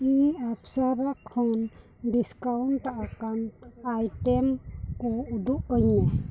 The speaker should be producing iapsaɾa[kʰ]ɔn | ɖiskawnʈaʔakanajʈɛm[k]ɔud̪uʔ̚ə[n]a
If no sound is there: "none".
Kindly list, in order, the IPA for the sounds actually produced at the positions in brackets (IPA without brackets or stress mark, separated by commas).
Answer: kʰ, k, ɲ